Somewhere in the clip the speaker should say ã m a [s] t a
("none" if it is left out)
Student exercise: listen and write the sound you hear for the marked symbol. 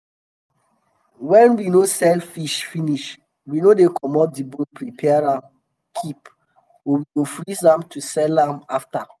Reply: f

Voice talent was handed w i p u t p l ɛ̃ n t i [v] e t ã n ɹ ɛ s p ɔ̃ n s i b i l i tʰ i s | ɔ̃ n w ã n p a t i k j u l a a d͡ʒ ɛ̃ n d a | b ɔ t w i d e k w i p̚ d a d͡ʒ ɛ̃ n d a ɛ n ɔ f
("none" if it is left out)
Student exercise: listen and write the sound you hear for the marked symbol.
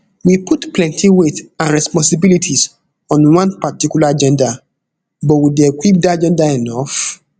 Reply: w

